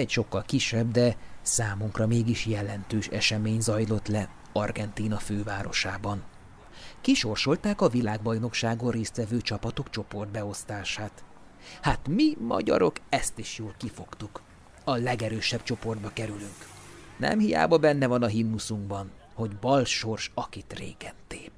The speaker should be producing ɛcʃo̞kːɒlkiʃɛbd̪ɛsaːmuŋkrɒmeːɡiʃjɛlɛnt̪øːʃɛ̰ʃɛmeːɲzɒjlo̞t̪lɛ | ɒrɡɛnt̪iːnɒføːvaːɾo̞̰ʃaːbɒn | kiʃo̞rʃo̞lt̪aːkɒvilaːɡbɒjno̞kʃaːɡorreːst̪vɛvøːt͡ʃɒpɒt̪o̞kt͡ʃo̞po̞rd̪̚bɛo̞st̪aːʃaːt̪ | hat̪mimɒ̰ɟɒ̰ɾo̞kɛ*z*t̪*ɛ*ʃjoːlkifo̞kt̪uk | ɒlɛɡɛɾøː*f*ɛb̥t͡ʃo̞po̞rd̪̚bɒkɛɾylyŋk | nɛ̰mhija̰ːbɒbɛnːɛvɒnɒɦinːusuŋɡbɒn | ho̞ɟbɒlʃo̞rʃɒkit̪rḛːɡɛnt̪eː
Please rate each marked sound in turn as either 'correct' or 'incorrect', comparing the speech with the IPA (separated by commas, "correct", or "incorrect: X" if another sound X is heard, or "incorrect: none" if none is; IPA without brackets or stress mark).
incorrect: s, incorrect: i, incorrect: ʃ